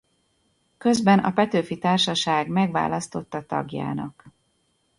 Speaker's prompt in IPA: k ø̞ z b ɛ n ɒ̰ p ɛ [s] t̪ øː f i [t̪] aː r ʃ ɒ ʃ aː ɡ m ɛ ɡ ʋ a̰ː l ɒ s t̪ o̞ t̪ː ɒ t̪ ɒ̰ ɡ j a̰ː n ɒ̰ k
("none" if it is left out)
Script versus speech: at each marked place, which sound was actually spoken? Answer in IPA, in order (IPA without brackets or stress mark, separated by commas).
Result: none, t̪